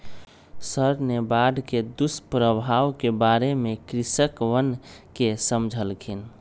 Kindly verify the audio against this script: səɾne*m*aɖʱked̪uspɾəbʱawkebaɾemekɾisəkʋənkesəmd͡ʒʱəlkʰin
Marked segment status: incorrect: b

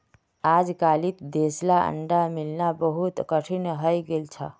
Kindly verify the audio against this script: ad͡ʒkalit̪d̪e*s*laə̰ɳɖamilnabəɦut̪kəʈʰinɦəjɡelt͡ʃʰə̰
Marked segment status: correct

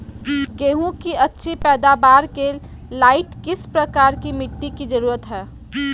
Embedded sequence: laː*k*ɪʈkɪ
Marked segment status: incorrect: none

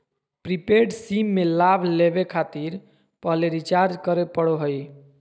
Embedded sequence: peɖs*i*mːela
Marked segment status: correct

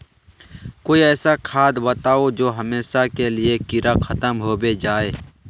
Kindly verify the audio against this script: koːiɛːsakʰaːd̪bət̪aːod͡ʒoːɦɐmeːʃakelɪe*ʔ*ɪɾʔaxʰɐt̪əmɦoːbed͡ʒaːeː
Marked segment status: incorrect: k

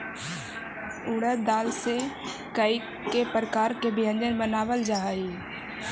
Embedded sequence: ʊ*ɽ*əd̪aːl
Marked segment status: correct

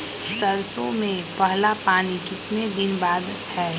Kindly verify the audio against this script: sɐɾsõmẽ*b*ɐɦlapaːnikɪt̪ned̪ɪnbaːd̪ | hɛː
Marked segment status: incorrect: p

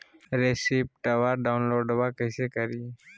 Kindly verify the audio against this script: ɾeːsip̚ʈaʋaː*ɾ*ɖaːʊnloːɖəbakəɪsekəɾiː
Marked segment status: correct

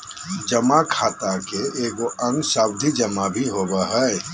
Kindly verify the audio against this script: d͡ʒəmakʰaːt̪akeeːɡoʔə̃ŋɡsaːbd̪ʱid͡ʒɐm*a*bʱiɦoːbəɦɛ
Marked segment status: correct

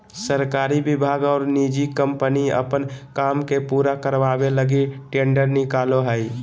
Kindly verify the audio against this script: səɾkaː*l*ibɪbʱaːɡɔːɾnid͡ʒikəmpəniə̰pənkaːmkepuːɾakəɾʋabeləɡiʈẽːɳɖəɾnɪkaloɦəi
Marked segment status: incorrect: ɾ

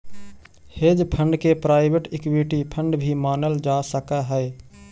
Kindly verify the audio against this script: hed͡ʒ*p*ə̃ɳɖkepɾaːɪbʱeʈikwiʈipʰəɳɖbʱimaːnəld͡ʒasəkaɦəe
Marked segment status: incorrect: pʰ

